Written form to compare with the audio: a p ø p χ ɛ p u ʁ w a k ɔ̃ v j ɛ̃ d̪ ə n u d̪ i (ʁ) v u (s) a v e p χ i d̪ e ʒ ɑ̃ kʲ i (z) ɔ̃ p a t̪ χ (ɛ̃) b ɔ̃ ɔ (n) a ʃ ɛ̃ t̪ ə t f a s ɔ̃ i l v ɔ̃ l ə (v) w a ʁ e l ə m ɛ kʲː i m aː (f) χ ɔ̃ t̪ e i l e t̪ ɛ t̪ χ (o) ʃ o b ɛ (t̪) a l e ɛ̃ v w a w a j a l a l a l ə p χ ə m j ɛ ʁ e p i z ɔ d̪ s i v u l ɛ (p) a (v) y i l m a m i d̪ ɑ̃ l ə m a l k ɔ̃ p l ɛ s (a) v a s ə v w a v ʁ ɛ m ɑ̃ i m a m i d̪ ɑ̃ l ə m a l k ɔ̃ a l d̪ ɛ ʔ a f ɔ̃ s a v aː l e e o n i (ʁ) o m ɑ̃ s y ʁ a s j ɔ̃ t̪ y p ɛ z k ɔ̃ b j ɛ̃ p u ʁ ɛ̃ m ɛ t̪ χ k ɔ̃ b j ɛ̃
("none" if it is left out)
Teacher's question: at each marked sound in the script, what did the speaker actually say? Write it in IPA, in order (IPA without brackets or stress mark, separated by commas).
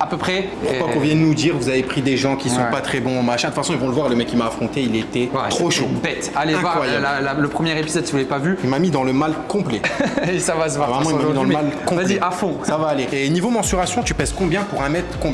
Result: ʁ, z, s, ɛ, m, v, f, o, t̪, p, v, a, v